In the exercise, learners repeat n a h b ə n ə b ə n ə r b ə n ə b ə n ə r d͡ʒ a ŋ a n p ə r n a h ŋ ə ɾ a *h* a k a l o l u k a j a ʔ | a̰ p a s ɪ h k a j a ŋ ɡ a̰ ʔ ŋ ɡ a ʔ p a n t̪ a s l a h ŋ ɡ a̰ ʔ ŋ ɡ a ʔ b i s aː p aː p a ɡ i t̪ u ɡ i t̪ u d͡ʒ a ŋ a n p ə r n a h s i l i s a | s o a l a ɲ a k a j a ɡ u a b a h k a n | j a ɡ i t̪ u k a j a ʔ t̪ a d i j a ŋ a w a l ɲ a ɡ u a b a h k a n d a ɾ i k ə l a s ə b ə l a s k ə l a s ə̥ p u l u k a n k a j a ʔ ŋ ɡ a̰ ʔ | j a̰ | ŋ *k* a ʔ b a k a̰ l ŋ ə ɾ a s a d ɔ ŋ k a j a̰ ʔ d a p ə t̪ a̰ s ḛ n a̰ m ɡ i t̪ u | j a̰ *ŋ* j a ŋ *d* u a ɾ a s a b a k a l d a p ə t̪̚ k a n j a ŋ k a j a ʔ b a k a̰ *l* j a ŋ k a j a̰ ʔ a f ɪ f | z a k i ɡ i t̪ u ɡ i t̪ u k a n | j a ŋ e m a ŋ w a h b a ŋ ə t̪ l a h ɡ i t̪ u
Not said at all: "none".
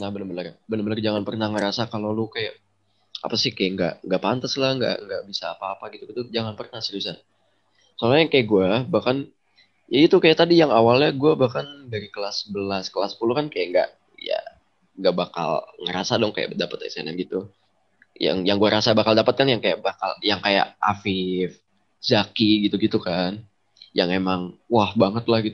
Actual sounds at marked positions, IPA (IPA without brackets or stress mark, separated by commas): s, ɡ, ŋ, ɡ, l